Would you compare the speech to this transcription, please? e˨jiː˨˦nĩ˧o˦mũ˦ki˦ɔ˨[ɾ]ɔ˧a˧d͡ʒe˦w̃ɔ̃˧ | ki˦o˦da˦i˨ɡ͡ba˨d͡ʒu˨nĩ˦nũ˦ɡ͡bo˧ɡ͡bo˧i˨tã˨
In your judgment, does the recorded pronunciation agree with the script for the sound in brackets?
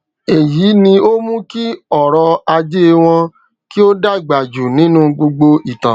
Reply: yes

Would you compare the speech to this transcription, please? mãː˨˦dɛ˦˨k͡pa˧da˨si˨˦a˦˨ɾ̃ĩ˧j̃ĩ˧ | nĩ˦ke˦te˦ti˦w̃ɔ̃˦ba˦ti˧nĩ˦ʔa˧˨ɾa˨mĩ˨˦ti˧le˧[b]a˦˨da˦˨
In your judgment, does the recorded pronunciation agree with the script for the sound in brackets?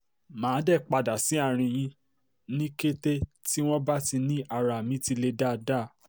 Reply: no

